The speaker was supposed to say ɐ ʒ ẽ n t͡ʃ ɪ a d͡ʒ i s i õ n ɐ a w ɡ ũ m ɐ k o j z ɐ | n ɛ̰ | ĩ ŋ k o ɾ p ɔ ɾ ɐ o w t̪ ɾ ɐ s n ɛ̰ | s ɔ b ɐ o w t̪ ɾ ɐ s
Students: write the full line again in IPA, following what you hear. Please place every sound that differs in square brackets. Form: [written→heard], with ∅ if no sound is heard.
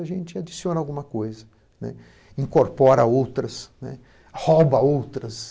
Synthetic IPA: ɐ ʒ ẽ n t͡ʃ ɪ a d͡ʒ i s i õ n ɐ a w ɡ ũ m ɐ k o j z ɐ | n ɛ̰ | ĩ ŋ k o ɾ p ɔ ɾ ɐ o w t̪ ɾ ɐ s n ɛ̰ | [s→h] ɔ b ɐ o w t̪ ɾ ɐ s